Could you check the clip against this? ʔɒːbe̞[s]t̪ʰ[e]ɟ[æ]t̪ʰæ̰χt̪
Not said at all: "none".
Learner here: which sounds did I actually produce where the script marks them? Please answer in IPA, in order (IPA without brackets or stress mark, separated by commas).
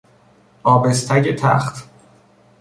s, æ, e